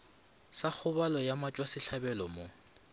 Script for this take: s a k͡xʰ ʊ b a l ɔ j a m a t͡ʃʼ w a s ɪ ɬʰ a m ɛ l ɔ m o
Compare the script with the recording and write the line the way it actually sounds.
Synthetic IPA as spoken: s a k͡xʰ ʊ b a l ɔ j a m a t͡ʃʼ w a s ɪ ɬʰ a b ɛ l ɔ m o